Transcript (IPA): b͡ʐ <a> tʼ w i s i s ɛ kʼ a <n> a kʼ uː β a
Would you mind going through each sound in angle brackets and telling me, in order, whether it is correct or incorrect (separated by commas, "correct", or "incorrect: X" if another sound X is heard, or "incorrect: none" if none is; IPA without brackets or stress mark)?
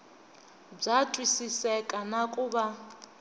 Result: correct, correct